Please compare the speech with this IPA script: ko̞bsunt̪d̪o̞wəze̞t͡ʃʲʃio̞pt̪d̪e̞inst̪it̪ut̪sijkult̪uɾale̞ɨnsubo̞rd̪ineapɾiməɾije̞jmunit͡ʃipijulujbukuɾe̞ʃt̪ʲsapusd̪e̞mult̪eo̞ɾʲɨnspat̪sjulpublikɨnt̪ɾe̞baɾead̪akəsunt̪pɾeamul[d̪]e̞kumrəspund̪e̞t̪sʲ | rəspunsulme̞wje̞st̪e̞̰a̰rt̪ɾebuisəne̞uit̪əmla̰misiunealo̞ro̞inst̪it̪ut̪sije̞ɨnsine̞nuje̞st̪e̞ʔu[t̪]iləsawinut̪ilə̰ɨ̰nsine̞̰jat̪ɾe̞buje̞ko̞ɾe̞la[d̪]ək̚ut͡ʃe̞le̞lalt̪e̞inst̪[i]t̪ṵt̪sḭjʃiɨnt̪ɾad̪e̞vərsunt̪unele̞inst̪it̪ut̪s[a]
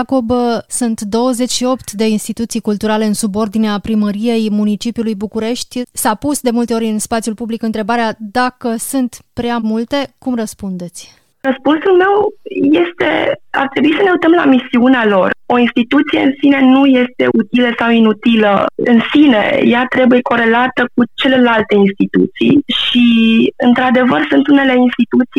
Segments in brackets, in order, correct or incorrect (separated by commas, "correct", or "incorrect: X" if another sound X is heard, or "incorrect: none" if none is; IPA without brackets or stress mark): incorrect: t̪, correct, incorrect: t̪, correct, incorrect: i